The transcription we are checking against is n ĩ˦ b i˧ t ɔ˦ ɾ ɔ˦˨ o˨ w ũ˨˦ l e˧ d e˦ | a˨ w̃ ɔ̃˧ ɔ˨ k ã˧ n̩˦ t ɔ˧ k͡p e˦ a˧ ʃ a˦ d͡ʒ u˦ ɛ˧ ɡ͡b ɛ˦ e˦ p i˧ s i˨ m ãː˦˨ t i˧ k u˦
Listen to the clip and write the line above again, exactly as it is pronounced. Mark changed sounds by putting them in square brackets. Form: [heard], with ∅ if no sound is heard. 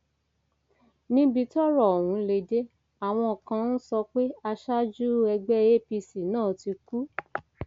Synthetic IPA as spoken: n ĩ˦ b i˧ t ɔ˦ ɾ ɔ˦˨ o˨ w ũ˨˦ l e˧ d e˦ | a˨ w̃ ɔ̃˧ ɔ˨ k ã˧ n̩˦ [s] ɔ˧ k͡p e˦ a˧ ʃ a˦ d͡ʒ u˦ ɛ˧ ɡ͡b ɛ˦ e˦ p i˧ s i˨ [n] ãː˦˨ t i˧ k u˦